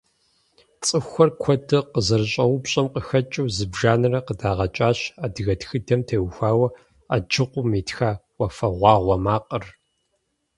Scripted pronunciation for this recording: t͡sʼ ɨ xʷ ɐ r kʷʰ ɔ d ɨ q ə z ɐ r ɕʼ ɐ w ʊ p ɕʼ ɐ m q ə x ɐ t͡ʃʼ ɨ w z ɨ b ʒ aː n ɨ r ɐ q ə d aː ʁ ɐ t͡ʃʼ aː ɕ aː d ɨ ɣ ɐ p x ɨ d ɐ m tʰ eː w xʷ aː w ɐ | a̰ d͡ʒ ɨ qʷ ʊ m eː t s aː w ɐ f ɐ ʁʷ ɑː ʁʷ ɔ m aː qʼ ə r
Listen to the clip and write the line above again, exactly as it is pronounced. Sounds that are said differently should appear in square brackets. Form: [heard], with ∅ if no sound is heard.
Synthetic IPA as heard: t͡sʼ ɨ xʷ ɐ r kʷʰ ɔ d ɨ q ə z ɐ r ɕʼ ɐ w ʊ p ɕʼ ɐ m q ə x ɐ t͡ʃʼ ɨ w z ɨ b ʒ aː n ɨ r ɐ q ə d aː ʁ ɐ t͡ʃʼ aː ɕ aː d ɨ ɣ ɐ [t] x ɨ d ɐ m tʰ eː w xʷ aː w ɐ | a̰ d͡ʒ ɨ qʷ ʊ m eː t [x] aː w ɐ f ɐ ʁʷ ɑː ʁʷ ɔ m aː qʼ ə r